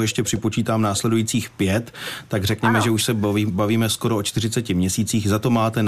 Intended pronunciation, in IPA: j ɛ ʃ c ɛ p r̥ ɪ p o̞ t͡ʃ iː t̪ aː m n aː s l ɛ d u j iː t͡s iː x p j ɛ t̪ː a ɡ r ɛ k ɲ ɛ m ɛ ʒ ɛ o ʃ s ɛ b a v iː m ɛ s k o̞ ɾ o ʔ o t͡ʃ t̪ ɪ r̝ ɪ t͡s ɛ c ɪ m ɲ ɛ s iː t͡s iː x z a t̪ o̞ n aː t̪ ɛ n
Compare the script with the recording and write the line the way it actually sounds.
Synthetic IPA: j ɛ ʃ c ɛ p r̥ ɪ p o̞ t͡ʃ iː t̪ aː m n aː s l ɛ d u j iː t͡s iː x p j ɛ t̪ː a ɡ r ɛ k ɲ ɛ m ɛ ʒ ɛ u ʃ s ɛ b a v iː m ɛ s k o̞ ɾ o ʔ o t͡ʃ t̪ ɪ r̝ ɪ t͡s ɛ c ɪ m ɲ ɛ s iː t͡s iː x z a t̪ o̞ m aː t̪ ɛ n